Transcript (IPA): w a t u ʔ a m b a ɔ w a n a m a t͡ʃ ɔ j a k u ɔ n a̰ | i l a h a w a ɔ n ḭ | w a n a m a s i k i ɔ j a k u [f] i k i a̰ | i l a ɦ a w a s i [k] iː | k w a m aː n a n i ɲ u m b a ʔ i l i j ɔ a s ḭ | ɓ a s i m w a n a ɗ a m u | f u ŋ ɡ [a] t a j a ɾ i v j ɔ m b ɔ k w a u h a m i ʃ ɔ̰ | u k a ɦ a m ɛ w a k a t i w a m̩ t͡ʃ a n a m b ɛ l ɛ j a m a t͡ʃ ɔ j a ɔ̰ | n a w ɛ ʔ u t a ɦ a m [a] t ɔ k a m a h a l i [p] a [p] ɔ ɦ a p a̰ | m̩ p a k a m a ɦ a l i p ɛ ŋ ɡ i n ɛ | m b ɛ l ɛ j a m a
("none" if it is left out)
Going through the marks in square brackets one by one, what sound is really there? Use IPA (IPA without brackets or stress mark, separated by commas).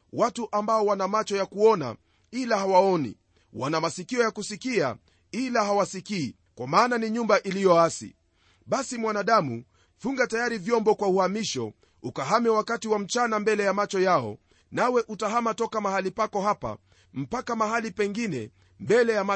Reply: s, k, a, a, p, k